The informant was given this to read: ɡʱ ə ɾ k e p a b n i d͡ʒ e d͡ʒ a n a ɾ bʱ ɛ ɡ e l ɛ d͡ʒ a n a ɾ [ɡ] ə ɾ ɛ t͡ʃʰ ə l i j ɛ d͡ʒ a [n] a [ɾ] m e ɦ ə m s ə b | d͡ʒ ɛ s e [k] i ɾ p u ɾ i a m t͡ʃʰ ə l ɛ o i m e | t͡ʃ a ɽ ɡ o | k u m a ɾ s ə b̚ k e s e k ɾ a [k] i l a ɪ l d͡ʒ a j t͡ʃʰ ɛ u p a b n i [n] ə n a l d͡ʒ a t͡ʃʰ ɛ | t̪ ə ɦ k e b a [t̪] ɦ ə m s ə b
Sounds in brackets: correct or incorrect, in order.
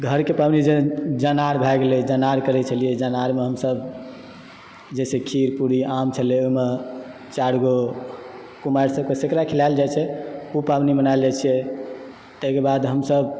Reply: incorrect, correct, correct, incorrect, incorrect, incorrect, incorrect

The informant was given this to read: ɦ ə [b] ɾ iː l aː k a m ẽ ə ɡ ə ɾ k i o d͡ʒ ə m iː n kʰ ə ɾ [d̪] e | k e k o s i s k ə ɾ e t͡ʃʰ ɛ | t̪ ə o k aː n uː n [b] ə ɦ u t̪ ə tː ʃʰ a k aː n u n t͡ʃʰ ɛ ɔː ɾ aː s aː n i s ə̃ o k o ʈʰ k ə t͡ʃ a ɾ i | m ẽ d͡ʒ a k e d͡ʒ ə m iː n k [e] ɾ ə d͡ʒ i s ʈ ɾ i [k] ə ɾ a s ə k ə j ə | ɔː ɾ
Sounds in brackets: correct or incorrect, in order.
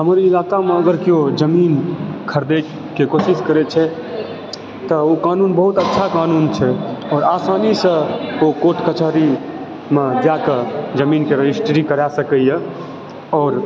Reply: incorrect, correct, correct, correct, correct

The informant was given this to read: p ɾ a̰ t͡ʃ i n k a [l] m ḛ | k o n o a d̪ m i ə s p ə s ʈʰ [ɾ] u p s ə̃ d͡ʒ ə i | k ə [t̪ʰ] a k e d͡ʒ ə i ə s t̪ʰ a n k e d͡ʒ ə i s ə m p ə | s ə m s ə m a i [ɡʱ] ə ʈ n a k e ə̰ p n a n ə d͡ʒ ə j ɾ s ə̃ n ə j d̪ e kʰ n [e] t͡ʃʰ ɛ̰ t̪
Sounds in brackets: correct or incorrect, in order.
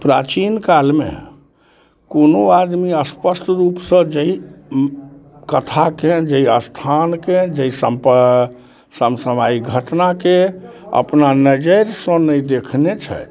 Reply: correct, correct, correct, correct, correct

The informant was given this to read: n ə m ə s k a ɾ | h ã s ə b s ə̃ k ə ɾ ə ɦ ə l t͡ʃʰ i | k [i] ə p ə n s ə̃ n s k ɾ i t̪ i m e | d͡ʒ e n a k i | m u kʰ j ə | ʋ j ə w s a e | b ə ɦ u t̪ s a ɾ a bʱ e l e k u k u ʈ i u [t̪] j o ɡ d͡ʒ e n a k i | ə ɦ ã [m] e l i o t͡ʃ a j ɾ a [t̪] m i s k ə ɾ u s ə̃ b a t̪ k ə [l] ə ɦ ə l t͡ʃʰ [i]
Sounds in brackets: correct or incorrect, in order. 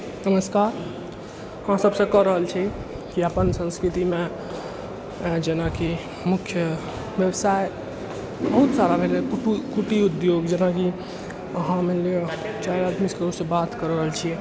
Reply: correct, incorrect, correct, incorrect, incorrect, correct

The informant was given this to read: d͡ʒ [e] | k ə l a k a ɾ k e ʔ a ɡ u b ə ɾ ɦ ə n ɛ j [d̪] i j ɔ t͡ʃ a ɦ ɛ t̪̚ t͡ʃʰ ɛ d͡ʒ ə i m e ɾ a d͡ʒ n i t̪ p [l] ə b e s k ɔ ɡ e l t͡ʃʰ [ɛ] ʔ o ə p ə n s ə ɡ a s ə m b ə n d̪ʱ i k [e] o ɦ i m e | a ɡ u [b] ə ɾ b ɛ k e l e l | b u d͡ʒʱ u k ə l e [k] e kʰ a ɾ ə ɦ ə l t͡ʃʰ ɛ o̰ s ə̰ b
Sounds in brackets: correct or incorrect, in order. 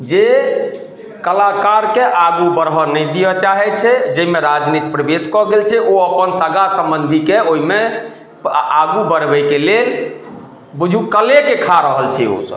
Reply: correct, correct, incorrect, correct, correct, correct, correct

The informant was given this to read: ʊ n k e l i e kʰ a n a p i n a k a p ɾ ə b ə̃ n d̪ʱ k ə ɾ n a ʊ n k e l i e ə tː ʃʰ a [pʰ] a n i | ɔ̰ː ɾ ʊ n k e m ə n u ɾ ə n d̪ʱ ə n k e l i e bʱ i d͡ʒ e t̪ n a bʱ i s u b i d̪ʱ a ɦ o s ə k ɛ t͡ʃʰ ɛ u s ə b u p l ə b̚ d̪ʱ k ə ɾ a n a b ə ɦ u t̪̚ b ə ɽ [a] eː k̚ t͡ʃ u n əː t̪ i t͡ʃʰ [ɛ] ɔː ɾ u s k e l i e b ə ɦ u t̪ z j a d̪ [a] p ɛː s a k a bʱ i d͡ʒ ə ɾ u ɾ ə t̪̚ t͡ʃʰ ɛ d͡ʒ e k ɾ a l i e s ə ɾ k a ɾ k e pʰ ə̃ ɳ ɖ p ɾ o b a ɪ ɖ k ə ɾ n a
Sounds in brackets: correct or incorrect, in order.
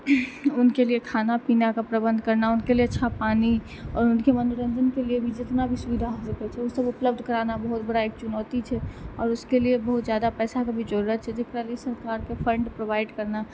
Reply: incorrect, correct, correct, correct

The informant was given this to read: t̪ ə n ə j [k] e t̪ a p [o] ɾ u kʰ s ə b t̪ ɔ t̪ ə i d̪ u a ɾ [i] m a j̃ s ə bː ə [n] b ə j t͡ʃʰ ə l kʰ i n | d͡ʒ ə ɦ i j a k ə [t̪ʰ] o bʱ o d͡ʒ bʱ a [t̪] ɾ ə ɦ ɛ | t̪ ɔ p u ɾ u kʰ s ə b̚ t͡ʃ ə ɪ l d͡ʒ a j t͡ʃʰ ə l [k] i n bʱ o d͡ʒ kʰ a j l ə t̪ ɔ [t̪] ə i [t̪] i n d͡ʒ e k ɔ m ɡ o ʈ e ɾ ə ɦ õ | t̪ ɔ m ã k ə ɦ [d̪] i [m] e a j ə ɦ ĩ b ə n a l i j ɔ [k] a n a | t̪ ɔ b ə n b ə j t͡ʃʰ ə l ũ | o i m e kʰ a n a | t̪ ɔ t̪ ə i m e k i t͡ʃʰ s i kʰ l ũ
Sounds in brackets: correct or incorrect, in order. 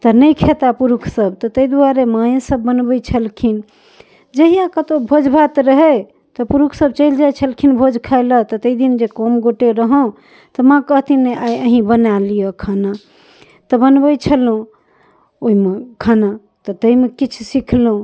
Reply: incorrect, incorrect, incorrect, correct, incorrect, correct, incorrect, correct, incorrect, incorrect, incorrect, incorrect

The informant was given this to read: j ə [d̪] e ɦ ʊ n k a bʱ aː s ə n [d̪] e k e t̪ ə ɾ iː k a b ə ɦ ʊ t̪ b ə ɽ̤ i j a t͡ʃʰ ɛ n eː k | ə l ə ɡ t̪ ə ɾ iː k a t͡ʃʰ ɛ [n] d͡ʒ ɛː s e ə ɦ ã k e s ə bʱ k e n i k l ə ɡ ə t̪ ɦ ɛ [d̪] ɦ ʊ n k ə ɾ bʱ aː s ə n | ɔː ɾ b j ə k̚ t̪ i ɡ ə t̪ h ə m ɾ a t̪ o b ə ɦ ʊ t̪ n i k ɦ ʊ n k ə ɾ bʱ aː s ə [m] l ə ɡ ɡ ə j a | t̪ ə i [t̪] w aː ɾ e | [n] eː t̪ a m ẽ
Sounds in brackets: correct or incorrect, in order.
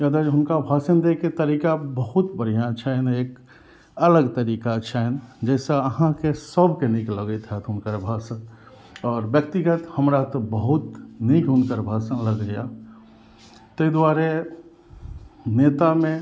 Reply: correct, correct, correct, incorrect, incorrect, incorrect, correct

